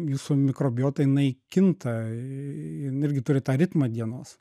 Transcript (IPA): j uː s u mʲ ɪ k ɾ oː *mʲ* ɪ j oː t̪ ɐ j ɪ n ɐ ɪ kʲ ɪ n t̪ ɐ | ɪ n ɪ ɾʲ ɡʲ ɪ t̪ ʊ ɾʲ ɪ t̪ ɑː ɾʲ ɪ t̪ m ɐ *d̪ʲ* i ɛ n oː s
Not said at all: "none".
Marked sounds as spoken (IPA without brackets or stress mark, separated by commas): bʲ, d̪ʲ